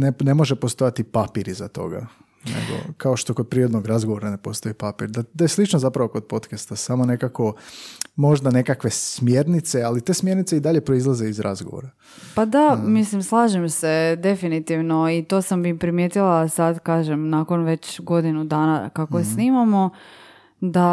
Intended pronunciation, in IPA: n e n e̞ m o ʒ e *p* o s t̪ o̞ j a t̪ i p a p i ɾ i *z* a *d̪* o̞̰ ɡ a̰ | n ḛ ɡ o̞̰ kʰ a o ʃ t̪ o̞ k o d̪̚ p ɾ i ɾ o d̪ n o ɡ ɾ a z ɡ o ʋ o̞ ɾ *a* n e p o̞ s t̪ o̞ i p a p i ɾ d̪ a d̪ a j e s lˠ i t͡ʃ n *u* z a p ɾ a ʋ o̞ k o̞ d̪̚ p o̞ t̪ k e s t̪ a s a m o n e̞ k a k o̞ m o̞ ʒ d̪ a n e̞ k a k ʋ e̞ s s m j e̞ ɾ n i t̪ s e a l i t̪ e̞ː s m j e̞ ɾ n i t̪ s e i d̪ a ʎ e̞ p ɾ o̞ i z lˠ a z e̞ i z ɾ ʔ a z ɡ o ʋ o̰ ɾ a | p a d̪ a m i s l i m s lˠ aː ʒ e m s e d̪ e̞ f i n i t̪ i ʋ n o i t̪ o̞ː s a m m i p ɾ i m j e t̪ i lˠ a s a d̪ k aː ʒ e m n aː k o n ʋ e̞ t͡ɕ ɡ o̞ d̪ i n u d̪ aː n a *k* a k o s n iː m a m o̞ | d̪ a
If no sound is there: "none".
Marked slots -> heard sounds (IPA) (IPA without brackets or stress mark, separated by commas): p, z, t̪, a, o, k